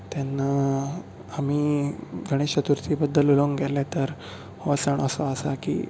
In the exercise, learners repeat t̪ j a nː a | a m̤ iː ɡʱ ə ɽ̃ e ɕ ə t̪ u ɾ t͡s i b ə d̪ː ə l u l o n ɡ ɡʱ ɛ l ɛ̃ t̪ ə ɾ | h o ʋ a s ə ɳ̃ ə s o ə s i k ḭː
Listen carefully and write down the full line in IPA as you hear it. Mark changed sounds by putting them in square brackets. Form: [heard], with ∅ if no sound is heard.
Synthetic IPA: t̪ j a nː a | a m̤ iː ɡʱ ə ɽ̃ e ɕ ə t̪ u ɾ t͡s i b ə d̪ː ə l u l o [ŋ] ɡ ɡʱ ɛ l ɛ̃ t̪ ə ɾ | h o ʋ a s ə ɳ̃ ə s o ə s [a] k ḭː